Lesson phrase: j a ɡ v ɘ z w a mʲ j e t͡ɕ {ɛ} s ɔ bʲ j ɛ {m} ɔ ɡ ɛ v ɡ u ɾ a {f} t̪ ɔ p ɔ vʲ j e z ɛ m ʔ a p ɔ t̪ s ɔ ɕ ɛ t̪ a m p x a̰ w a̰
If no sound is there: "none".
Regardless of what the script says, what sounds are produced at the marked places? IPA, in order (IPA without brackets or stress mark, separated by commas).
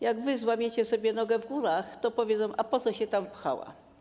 ɛ, n, x